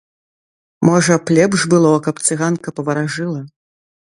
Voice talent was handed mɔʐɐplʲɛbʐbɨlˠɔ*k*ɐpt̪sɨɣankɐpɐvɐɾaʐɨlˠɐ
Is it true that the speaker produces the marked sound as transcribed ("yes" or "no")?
yes